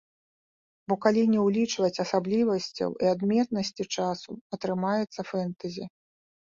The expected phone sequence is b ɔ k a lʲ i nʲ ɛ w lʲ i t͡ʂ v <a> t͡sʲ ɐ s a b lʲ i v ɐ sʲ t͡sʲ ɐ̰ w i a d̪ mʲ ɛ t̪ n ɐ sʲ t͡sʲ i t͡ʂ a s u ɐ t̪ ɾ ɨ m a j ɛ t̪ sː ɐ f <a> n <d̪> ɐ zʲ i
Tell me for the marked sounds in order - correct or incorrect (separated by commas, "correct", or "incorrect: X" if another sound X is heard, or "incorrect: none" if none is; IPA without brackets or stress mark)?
incorrect: ɐ, incorrect: ɛ, incorrect: t̪